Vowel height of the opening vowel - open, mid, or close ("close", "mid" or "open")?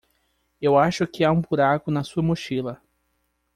mid